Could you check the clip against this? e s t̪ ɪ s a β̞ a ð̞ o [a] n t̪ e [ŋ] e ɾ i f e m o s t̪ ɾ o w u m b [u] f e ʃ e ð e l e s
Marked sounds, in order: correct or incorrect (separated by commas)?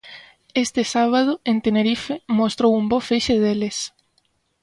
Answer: incorrect, incorrect, incorrect